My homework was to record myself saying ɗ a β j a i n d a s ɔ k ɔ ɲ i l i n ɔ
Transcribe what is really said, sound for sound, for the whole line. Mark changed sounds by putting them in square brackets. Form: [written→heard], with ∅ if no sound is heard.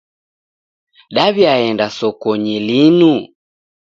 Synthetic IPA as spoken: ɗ a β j a [i→ɛ] n d a s ɔ k ɔ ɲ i l i n [ɔ→u]